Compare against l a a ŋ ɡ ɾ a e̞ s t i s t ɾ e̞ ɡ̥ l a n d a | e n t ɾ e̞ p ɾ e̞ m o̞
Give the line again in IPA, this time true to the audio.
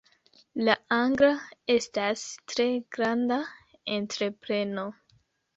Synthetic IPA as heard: l a a ŋ ɡ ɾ a e̞ s t a s t ɾ e̞ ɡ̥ ɾ a n d a | e n t ɾ e̞ p ɾ e̞ n o̞